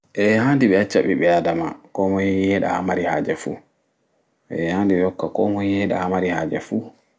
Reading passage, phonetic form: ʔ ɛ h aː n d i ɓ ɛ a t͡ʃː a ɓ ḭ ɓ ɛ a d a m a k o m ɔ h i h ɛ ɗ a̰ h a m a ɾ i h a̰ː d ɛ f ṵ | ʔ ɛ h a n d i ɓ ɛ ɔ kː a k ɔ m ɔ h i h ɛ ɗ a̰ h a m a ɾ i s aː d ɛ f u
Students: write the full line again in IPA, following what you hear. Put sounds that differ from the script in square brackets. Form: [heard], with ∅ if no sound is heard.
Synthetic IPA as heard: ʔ ɛ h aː n d i ɓ ɛ a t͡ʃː a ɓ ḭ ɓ ɛ a d a m a k [ɔ] m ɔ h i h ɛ ɗ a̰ h a m a ɾ i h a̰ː [d͡ʒ] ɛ f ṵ | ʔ ɛ h a n d i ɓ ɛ ɔ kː a k ɔ m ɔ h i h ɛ ɗ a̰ h a m a ɾ i [h] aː [d͡ʒ] ɛ f u